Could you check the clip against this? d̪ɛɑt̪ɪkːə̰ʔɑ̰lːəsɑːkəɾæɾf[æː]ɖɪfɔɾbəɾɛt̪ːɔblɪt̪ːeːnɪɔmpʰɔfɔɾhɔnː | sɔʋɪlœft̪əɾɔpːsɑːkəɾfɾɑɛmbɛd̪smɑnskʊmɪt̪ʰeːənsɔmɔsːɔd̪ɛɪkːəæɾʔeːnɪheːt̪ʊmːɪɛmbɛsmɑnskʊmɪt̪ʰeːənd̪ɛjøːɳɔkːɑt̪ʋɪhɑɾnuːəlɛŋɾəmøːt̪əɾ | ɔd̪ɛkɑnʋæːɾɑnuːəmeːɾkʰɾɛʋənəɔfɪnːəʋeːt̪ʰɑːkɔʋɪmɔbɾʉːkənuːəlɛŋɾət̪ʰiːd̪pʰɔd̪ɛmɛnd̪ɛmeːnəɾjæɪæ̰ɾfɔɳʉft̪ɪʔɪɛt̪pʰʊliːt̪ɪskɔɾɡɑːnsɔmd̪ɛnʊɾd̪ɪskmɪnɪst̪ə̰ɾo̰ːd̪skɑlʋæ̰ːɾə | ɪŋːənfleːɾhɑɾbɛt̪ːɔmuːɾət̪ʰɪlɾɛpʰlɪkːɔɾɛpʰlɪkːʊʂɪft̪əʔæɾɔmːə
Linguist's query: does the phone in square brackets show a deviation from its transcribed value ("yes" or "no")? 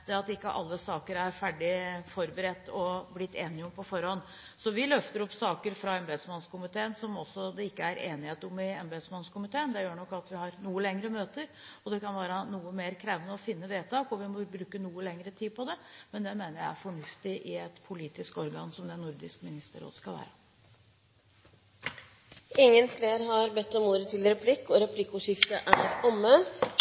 yes